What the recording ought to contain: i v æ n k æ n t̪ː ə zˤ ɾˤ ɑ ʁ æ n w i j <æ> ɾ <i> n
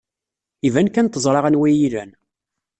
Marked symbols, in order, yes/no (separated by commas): no, no